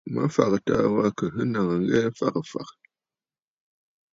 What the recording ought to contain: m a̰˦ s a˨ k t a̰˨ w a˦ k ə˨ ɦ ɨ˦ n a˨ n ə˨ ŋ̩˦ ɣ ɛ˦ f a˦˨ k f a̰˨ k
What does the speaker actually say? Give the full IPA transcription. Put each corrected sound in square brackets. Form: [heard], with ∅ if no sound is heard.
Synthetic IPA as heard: m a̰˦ [f] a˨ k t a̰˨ w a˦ k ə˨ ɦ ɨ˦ n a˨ [ŋ] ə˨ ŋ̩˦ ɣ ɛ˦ f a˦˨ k f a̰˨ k